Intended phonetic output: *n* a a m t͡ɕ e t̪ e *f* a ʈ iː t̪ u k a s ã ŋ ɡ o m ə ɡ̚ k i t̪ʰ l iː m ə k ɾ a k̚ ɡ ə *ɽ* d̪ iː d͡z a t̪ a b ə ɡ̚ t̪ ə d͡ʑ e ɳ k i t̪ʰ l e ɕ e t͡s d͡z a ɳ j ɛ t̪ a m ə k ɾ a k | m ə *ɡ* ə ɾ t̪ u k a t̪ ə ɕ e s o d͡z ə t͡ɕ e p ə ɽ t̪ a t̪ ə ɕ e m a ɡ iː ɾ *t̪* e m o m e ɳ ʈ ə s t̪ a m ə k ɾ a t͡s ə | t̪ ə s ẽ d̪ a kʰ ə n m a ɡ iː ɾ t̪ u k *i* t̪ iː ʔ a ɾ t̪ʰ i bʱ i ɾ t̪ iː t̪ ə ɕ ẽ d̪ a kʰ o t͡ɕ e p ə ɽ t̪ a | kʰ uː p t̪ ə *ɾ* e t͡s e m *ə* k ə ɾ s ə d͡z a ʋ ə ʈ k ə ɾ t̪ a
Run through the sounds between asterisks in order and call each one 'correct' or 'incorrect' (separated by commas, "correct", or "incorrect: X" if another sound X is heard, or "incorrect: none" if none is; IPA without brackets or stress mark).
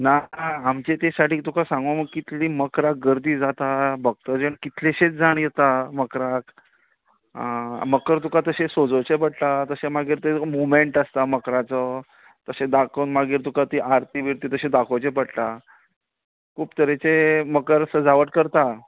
correct, incorrect: s, incorrect: ɾ, incorrect: k, correct, incorrect: a, correct, correct